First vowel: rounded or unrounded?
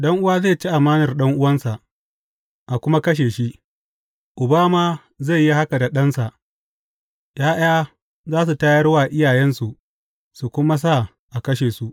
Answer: unrounded